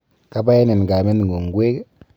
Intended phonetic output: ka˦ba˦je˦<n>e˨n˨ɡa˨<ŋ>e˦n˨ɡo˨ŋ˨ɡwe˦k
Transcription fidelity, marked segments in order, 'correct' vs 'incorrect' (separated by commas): correct, incorrect